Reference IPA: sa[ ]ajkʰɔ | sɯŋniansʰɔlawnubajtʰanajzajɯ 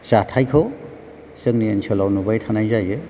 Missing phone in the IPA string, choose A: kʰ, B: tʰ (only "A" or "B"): B